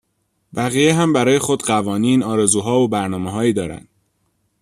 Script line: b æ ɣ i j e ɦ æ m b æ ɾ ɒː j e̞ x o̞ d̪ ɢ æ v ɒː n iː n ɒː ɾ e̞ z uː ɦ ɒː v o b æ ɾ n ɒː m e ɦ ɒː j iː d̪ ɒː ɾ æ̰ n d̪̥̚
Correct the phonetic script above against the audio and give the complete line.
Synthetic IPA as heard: b æ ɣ i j e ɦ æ m b æ ɾ ɒː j e̞ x o̞ d̪ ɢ æ v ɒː n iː n ɒː ɾ e̞ z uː ɦ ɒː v o b æ ɾ n ɒː m e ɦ ɒː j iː d̪ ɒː ɾ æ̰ n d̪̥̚